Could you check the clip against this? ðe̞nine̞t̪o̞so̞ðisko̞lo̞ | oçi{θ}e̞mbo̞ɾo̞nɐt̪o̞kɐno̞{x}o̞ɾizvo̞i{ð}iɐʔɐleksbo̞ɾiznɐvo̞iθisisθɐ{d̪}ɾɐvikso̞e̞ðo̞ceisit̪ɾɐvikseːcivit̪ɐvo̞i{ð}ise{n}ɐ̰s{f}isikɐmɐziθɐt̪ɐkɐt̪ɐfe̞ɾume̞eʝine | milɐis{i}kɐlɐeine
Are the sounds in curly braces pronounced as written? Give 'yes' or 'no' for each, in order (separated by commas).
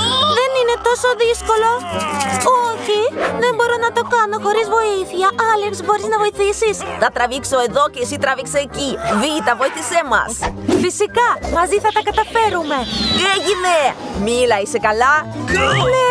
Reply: no, yes, no, no, no, no, yes, no